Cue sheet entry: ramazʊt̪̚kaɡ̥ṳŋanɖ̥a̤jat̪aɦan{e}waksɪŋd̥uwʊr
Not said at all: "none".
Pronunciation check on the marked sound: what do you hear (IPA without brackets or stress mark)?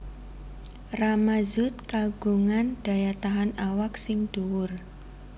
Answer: a